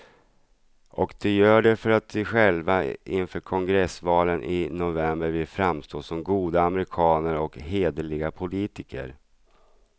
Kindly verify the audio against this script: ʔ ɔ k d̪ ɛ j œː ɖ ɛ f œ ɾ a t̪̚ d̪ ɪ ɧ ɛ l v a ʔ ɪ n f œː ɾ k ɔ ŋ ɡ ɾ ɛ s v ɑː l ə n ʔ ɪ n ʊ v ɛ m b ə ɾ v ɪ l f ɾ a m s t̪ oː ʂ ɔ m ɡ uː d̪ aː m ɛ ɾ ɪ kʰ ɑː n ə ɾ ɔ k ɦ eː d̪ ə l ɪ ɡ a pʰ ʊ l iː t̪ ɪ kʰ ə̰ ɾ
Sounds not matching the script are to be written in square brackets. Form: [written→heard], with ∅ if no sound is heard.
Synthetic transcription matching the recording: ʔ ɔ k d̪ ɛ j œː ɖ ɛ f œ ɾ a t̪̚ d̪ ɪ ɧ ɛ l v a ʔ ɪ n f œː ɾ [k→kʰ] ɔ ŋ ɡ ɾ ɛ s v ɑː l ə n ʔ ɪ n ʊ v ɛ m b ə ɾ v ɪ l f ɾ a m s t̪ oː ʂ ɔ m ɡ uː d̪ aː m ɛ ɾ ɪ kʰ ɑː n ə ɾ ɔ k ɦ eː d̪ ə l ɪ ɡ a pʰ ʊ l iː t̪ ɪ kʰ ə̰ ɾ